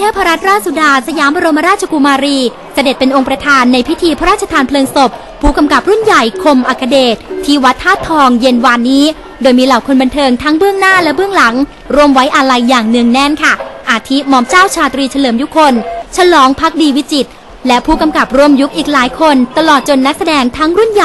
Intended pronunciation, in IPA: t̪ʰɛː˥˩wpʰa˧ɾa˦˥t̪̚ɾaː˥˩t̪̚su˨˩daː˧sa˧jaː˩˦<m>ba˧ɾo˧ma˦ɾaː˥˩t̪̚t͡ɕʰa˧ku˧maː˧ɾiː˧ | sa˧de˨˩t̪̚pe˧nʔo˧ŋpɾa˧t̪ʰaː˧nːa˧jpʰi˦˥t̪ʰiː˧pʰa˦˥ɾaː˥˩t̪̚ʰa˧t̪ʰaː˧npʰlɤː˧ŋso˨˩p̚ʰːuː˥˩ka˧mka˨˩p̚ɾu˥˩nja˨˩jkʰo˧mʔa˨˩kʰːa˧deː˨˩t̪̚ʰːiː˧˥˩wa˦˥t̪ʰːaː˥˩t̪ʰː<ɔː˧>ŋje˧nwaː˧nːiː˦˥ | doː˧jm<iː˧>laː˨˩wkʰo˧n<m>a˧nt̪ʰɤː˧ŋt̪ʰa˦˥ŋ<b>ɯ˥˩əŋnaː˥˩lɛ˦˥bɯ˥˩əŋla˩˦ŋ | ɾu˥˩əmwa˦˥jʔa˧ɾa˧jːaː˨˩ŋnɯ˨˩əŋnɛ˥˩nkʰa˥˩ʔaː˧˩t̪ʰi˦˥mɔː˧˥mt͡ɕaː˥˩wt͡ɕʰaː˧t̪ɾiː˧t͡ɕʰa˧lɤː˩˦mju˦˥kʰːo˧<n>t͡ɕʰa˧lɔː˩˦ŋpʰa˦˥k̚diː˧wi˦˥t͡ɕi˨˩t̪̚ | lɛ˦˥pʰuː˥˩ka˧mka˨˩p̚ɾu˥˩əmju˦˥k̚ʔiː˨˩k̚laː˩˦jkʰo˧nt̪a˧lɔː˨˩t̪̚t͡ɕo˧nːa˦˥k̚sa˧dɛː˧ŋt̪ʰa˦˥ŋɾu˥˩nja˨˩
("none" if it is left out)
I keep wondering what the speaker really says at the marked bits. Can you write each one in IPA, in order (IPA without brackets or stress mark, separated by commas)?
m, ɔː˧, iː˧, b, b, n